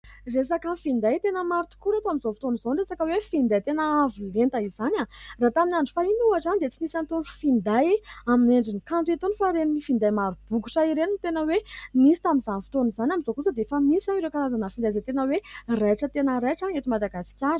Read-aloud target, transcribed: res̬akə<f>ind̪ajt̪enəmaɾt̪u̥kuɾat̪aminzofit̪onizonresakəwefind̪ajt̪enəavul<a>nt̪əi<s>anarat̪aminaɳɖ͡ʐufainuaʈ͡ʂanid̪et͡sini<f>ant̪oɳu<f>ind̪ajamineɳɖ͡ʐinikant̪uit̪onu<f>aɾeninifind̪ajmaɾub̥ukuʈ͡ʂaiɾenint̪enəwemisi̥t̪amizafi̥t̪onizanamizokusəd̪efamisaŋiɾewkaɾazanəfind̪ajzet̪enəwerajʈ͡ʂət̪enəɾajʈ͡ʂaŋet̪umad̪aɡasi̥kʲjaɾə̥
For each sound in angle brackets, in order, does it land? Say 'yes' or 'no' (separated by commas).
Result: yes, no, no, no, yes, yes